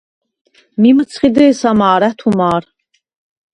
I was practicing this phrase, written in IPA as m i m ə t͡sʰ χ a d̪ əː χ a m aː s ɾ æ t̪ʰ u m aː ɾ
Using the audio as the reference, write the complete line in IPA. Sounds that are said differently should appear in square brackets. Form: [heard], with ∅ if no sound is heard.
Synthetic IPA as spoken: m i m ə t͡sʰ χ [i] d̪ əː [s] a m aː [∅] ɾ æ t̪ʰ u m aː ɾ